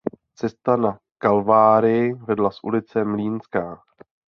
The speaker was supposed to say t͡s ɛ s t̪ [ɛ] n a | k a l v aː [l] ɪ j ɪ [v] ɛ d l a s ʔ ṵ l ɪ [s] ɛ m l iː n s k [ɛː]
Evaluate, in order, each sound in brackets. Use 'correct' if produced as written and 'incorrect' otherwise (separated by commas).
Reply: incorrect, incorrect, correct, incorrect, incorrect